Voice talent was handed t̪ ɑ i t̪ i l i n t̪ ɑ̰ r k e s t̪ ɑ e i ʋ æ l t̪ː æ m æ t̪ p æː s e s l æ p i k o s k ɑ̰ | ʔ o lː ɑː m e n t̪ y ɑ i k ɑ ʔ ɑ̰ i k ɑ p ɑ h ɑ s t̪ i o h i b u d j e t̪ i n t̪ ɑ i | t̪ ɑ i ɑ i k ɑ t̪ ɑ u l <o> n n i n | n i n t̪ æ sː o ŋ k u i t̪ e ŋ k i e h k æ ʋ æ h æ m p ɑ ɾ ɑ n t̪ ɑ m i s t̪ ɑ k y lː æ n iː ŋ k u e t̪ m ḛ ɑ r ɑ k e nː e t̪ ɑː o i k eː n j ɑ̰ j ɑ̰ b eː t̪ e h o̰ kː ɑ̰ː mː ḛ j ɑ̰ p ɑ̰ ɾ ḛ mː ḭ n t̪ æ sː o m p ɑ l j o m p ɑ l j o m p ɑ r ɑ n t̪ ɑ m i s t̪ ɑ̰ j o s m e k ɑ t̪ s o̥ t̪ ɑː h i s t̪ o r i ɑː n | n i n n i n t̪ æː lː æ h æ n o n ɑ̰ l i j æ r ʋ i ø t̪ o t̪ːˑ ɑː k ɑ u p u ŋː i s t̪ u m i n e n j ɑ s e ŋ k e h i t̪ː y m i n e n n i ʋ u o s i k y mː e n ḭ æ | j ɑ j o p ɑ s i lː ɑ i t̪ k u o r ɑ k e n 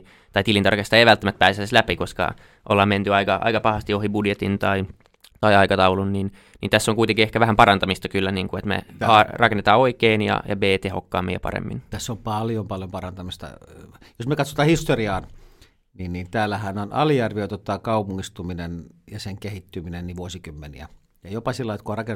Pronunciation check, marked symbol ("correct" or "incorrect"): incorrect